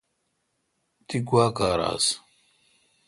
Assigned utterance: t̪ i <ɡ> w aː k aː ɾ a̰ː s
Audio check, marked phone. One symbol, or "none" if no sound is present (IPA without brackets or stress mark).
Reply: ɡ